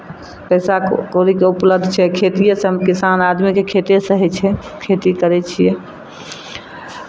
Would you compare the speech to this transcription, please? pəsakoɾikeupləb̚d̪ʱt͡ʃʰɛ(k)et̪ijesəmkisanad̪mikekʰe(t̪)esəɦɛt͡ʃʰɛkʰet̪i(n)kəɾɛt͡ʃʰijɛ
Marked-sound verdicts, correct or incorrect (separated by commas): incorrect, correct, incorrect